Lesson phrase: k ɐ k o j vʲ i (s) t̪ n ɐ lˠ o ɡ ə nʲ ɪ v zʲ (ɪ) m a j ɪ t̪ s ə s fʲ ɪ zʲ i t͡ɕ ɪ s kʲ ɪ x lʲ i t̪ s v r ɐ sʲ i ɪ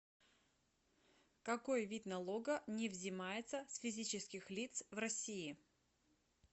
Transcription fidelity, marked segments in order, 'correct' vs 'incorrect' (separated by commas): incorrect, correct